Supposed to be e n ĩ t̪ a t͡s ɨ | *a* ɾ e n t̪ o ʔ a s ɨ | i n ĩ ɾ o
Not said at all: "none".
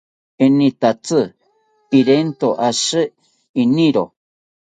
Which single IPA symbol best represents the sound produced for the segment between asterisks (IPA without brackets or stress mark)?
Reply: i